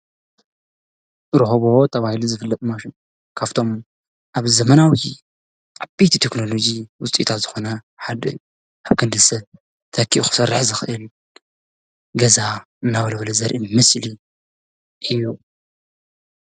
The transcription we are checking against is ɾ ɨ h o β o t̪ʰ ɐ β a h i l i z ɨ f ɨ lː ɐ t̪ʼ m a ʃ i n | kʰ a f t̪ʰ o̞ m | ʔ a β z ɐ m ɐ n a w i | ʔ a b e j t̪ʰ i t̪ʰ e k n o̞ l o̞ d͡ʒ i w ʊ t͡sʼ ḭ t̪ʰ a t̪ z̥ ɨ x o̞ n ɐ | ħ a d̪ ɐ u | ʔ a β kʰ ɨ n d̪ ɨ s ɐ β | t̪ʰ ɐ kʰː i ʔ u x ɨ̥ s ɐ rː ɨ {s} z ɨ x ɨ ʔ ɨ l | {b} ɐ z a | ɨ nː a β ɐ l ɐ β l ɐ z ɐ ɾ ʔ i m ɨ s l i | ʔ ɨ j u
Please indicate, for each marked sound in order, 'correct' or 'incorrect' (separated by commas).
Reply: incorrect, incorrect